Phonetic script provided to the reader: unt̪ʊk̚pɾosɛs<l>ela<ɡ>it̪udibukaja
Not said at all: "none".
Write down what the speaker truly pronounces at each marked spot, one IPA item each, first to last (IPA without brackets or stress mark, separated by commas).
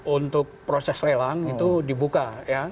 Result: l, ŋ